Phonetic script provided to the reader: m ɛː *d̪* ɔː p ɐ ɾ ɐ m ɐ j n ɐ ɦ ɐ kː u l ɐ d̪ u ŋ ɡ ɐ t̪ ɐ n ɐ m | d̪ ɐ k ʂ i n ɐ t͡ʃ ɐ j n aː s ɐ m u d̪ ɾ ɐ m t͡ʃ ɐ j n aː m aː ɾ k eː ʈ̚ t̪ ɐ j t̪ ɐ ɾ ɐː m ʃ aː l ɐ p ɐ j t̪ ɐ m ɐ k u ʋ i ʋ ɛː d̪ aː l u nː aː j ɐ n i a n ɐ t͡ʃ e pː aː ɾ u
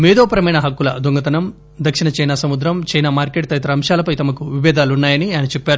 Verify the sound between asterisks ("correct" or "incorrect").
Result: correct